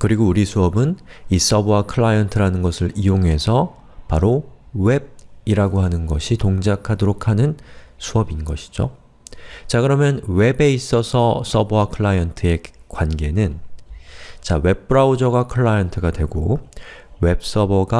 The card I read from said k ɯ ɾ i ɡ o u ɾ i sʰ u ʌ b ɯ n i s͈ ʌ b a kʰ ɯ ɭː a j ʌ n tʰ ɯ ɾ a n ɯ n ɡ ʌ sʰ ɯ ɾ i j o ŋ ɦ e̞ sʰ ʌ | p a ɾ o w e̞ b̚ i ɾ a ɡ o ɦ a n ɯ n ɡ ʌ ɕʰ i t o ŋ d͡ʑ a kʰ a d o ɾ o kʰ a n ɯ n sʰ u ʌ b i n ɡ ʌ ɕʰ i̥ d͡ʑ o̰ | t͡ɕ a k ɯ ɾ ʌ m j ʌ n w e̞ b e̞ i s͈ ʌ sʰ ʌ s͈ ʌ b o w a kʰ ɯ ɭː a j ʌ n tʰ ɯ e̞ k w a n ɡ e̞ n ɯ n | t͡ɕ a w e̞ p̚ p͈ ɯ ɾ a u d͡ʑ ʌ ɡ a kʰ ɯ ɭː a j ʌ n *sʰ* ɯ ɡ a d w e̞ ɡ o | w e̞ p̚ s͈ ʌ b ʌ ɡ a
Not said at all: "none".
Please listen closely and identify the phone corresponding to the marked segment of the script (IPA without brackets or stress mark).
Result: tʰ